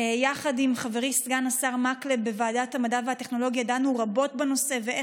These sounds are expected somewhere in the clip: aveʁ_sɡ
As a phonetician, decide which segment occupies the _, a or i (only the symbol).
i